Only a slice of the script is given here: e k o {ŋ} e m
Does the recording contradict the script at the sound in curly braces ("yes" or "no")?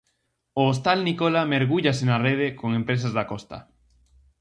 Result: no